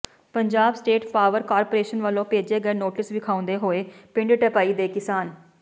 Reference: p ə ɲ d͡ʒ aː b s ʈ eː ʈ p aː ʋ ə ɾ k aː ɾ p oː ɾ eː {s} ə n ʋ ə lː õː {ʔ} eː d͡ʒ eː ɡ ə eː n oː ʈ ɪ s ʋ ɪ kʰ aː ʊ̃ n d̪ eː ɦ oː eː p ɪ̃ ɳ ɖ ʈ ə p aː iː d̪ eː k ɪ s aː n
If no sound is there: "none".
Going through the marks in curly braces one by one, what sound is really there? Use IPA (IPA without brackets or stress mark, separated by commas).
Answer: ʃ, p